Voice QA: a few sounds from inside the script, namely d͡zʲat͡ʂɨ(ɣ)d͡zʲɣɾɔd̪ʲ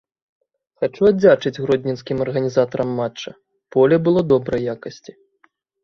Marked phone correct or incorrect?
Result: incorrect